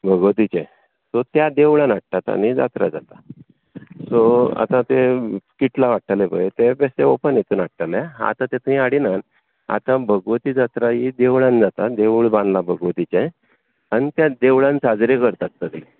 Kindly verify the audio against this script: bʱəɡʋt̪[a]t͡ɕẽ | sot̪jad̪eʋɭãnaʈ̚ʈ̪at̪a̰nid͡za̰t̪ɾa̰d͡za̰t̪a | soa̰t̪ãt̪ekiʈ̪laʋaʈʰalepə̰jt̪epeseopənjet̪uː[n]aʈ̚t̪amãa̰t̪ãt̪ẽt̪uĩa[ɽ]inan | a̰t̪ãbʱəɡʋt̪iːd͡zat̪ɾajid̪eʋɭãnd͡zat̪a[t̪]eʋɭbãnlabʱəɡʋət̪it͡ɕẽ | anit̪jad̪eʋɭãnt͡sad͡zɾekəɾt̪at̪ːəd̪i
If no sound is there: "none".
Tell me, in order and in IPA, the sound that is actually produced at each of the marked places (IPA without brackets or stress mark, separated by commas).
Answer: i, n, ɽ, d̪